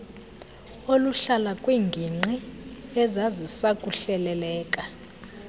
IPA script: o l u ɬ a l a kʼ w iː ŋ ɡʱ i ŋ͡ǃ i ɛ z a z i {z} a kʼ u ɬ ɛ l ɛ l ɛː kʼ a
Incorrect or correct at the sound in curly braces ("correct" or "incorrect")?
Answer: incorrect